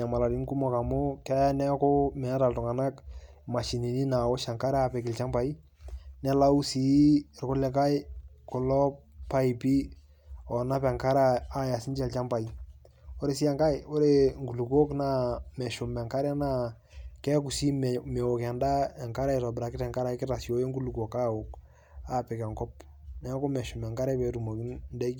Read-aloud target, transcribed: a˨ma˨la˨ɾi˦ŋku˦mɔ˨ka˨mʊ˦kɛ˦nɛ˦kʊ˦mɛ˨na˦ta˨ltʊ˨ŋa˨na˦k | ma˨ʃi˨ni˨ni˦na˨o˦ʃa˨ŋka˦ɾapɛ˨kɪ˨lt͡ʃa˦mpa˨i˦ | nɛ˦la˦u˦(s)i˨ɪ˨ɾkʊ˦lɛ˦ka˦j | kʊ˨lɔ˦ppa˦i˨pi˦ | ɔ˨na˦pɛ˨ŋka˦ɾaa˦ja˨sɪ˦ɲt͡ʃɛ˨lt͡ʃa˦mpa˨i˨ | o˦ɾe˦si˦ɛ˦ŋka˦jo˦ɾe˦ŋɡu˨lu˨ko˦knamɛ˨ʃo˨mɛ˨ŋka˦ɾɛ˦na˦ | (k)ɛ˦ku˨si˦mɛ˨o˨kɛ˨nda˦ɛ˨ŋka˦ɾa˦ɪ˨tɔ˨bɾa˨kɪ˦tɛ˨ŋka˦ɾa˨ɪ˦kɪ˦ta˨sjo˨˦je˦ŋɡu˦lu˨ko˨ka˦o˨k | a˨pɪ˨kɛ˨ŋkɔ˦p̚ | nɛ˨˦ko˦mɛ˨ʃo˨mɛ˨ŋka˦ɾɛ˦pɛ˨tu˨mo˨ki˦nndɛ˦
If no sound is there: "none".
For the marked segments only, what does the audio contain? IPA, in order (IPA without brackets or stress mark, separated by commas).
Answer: s, k